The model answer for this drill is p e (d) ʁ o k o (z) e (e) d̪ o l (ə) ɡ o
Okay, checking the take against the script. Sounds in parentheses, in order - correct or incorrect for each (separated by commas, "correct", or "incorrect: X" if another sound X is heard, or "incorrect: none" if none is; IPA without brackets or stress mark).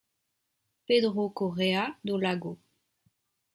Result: correct, incorrect: ʁ, incorrect: a, incorrect: a